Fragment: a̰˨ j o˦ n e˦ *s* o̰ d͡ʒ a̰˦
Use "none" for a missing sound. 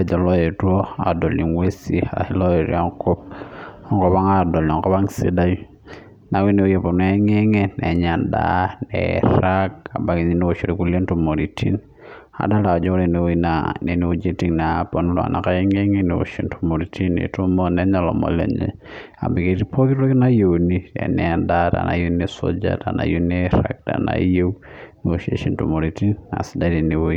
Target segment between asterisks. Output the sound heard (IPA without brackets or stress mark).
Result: s